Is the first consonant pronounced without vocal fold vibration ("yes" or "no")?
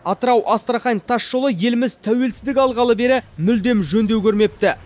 yes